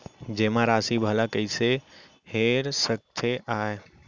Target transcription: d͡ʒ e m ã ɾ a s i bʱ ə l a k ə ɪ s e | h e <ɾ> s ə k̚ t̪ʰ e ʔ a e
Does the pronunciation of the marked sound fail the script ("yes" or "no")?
no